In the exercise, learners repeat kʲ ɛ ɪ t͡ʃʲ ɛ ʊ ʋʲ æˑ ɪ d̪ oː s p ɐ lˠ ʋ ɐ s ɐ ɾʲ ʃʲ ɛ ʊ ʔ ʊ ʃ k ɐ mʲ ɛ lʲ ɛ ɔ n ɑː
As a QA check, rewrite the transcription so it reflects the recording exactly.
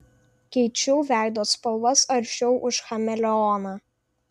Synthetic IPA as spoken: kʲ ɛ ɪ t͡ʃʲ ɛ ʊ ʋʲ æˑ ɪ d̪ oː s p ɐ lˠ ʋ ɐ s ɐ ɾʲ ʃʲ ɛ ʊ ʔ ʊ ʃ x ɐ mʲ ɛ lʲ ɛ ɔ n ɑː